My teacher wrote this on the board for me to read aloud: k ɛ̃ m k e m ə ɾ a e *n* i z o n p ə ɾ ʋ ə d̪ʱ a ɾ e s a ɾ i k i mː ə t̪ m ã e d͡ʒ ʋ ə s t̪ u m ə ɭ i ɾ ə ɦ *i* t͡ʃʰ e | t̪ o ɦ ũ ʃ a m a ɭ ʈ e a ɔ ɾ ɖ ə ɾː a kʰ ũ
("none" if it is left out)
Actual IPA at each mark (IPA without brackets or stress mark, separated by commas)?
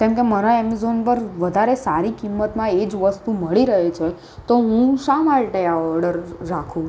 m, e